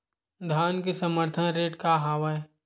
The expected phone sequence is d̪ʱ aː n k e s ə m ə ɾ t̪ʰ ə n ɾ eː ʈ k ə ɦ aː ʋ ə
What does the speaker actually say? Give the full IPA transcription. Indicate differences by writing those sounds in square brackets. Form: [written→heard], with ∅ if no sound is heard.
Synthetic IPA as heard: d̪ʱ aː n k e s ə m ə ɾ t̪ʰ ə n ɾ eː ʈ k [ə→a] ɦ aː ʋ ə